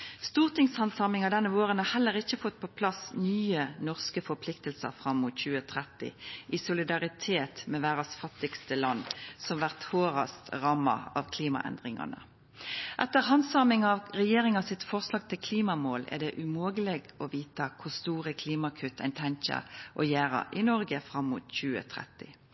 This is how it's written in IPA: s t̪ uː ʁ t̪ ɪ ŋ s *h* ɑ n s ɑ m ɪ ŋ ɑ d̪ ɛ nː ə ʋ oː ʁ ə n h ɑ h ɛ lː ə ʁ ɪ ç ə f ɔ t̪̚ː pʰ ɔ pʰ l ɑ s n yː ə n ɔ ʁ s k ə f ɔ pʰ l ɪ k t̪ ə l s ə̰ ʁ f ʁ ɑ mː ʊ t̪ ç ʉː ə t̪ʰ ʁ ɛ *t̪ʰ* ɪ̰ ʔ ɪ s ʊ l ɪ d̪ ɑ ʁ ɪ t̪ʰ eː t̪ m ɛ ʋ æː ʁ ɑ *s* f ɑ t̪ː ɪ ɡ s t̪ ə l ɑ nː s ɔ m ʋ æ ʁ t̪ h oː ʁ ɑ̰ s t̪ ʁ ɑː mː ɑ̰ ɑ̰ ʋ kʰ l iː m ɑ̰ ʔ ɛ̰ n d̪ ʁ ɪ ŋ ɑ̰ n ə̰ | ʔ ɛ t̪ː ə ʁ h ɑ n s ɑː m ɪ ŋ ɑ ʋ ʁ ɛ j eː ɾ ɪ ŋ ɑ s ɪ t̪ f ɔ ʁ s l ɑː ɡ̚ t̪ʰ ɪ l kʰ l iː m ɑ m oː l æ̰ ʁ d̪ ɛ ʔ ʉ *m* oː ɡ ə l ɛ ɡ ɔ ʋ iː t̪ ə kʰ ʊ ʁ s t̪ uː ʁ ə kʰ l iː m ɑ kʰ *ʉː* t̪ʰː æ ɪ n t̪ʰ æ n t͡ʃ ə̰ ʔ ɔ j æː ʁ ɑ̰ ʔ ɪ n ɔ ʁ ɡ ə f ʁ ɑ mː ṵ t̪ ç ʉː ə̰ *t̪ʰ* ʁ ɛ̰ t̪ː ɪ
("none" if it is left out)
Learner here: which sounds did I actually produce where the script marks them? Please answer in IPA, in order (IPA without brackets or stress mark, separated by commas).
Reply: h, t̪, s, m, ʉ, t̪ʰ